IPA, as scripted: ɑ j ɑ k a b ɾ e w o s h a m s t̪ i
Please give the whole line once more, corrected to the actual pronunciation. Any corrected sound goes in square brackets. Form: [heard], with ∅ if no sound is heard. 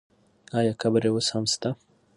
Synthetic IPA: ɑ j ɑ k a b ɾ e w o s h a m s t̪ [a]